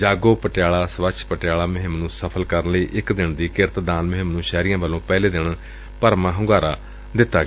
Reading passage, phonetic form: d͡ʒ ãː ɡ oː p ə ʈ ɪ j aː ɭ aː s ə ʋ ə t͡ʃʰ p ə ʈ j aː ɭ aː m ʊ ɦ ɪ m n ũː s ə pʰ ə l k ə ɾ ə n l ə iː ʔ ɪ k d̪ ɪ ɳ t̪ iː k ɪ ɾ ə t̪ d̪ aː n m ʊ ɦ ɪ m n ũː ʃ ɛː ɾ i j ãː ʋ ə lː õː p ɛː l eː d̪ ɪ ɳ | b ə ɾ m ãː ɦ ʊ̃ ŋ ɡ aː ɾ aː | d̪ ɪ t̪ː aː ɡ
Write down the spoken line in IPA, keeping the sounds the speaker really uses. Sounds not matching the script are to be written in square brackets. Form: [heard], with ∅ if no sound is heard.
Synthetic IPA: d͡ʒ [aː] ɡ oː p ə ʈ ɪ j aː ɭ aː s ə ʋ ə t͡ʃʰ p ə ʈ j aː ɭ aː m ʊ ɦ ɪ m n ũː s ə pʰ ə l k ə ɾ ə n l ə iː ʔ ɪ k d̪ ɪ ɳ [d̪] iː k ɪ ɾ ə t̪ d̪ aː n m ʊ ɦ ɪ m n ũː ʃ ɛː ɾ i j ãː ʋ ə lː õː p ɛː l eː d̪ ɪ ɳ | [p] ə ɾ m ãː ɦ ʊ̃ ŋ ɡ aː ɾ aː | d̪ ɪ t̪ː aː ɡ